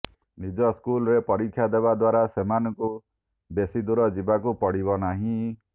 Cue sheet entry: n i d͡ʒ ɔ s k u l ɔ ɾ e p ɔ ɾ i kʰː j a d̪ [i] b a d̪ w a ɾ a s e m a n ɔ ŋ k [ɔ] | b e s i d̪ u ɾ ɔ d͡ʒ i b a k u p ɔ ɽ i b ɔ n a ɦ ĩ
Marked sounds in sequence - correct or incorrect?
incorrect, incorrect

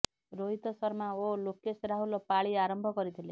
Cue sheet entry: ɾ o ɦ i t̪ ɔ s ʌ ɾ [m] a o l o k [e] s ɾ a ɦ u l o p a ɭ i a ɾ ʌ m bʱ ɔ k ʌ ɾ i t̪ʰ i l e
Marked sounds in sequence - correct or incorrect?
correct, correct

